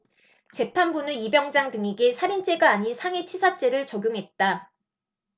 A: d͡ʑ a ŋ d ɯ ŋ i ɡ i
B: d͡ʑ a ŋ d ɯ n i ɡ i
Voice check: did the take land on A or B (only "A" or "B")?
A